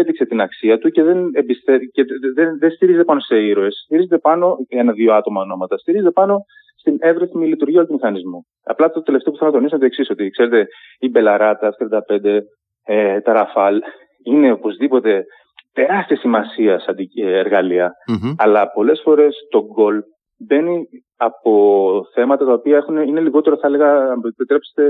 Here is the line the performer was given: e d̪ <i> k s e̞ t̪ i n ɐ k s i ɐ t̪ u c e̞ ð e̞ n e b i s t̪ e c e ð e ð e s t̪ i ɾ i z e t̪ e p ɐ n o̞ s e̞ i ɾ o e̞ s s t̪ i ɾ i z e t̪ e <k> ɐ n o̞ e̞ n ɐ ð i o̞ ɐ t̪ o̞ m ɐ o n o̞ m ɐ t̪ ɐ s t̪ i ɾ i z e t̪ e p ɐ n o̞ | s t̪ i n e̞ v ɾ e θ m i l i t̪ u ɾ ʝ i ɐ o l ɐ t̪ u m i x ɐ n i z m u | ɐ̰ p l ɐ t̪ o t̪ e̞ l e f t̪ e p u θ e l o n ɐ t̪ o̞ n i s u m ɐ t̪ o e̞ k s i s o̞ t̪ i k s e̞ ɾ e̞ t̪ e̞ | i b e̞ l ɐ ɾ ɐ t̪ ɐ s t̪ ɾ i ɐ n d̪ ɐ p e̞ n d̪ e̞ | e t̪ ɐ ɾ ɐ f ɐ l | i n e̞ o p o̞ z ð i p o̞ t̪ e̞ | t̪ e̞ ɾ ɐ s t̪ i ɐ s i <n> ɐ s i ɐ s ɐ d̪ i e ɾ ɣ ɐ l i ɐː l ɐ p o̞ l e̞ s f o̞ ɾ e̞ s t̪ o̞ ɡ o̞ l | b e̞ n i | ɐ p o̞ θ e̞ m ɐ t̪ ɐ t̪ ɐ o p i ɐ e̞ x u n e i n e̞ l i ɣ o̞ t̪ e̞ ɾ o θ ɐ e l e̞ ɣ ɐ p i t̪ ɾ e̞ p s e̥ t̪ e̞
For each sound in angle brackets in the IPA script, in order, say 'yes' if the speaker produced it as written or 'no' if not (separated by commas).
yes, no, no